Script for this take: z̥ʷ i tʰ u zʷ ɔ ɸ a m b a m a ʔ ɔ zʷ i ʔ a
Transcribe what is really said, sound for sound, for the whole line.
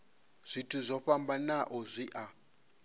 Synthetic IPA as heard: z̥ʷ i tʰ u zʷ ɔ ɸ a m b a n a ʔ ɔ zʷ i ʔ a